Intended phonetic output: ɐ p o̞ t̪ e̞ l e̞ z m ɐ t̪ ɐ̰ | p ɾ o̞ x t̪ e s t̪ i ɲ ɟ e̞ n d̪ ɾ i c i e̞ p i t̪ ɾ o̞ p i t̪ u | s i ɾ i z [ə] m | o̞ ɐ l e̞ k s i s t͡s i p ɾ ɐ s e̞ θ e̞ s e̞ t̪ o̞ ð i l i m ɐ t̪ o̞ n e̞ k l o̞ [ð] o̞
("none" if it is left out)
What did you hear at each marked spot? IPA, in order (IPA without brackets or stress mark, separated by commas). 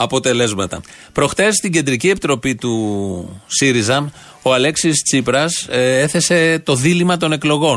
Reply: ɐ, ɣ